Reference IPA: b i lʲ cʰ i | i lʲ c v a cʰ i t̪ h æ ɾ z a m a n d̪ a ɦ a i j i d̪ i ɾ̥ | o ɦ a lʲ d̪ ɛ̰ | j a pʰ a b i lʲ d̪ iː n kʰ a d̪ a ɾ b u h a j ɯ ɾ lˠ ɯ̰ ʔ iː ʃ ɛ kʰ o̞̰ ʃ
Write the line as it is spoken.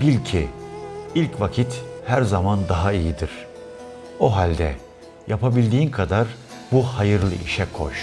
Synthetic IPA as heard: b i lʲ cʰ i | i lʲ c v a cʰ i t̪ h æ ɾ z a m a n d̪ a ɦ a i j i d̪ i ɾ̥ | o ɦ a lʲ d̪ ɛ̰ | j a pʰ a b i lʲ d̪ iː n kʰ a d̪ a ɾ b u h a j ɯ ɾ lˠ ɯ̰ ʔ i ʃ ɛ kʰ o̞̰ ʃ